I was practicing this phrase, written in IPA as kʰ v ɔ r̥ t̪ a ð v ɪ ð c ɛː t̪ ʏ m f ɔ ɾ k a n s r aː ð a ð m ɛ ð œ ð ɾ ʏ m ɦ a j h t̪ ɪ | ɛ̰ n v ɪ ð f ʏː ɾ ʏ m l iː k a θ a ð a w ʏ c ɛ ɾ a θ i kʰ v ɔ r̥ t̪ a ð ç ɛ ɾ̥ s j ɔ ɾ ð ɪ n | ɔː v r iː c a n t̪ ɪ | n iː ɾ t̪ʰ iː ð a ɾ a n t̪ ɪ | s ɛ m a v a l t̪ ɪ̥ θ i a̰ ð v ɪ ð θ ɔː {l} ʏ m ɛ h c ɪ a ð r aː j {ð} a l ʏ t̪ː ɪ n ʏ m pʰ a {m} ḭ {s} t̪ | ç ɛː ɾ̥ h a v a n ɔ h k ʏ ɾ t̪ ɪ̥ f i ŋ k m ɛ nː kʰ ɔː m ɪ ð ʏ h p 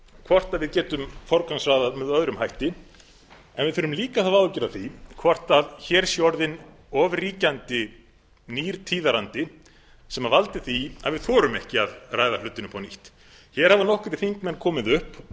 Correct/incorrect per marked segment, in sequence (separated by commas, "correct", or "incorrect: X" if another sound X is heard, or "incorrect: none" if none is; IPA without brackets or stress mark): incorrect: ɾ, correct, incorrect: n, incorrect: h